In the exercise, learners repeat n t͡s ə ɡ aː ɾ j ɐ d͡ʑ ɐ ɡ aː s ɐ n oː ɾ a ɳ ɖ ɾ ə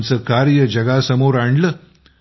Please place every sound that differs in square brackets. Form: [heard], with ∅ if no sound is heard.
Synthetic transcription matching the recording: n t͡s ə [k] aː ɾ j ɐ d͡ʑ ɐ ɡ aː s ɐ [m] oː ɾ a ɳ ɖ [l] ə